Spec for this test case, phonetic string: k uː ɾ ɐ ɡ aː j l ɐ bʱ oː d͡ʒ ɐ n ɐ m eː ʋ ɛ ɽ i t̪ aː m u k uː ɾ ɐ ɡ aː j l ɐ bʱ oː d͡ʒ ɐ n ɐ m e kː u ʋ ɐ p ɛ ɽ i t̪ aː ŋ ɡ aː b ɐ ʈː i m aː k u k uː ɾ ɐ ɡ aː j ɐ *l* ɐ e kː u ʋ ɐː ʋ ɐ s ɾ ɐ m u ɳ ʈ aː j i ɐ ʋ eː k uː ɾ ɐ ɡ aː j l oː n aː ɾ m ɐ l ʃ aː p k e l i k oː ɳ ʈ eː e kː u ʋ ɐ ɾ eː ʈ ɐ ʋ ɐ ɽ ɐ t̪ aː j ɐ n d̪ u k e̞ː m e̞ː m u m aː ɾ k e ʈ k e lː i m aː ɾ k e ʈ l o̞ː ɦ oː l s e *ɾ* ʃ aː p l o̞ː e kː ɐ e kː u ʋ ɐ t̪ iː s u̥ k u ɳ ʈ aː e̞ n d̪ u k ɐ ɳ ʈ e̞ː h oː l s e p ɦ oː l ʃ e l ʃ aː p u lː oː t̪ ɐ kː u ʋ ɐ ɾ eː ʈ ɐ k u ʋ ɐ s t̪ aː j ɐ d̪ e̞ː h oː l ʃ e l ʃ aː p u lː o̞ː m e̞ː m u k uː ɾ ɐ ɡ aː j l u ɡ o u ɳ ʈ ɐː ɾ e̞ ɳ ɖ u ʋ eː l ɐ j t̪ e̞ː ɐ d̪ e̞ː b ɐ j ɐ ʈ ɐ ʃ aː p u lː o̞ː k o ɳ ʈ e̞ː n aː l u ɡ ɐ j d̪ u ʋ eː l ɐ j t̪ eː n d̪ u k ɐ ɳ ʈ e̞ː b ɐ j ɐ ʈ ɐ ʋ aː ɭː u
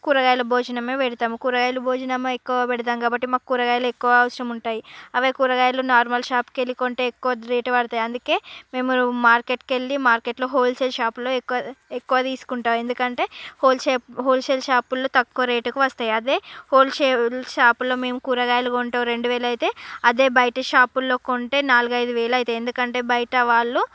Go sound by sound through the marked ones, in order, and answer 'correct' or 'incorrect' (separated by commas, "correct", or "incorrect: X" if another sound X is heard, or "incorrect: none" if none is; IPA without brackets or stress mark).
correct, incorrect: l